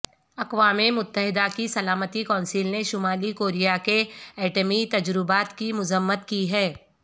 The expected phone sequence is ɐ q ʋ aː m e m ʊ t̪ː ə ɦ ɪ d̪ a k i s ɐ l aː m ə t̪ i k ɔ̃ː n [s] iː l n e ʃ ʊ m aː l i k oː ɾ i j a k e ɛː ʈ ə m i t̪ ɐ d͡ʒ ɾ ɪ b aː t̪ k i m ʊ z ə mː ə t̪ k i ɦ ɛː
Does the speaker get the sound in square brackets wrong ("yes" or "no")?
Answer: no